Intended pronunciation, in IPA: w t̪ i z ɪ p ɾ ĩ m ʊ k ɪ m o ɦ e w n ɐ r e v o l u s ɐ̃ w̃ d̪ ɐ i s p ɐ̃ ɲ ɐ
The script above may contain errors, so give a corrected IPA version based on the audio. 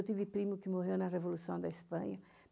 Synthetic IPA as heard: w t̪ i v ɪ p ɾ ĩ m ʊ k ɪ m o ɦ e w n ɐ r e v o l u s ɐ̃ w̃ d̪ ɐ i s p ɐ̃ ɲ ɐ